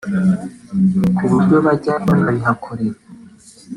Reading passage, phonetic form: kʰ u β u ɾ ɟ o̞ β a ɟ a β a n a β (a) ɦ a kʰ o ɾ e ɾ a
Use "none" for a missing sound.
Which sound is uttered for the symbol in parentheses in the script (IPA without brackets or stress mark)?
i